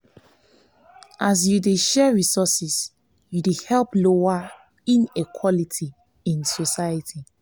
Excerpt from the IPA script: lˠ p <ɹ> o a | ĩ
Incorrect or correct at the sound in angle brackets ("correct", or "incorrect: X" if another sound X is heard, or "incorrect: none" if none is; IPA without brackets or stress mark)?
incorrect: l